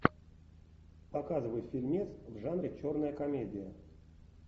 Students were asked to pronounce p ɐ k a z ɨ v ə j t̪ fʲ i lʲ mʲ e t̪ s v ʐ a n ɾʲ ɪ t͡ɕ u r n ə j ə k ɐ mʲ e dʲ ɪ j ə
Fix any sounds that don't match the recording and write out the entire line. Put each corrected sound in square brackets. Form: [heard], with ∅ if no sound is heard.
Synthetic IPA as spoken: p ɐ k a z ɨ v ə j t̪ fʲ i lʲ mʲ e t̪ s v ʐ a n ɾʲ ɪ t͡ɕ [o] r n ə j ə k ɐ mʲ e dʲ ɪ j ə